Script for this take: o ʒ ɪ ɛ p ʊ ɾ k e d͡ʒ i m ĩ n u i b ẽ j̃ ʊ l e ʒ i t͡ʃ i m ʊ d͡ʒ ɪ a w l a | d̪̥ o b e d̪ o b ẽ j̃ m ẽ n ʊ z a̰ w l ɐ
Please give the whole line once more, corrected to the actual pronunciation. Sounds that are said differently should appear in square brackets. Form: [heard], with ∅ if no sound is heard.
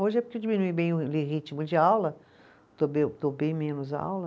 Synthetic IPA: o ʒ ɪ ɛ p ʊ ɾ k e d͡ʒ i m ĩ n u i b ẽ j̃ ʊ l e ʒ i t͡ʃ i m ʊ d͡ʒ ɪ a w l [ɐ] | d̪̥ o b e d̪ o b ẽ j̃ m ẽ n ʊ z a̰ w l ɐ